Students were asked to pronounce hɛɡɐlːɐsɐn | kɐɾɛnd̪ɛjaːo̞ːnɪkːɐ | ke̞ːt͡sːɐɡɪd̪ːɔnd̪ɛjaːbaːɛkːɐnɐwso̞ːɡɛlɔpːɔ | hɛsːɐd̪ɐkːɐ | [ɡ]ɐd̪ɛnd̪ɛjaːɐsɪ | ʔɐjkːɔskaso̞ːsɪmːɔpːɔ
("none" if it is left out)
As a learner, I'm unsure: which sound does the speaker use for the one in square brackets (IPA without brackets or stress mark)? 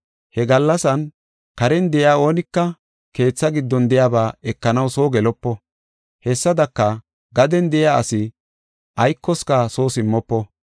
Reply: ɡ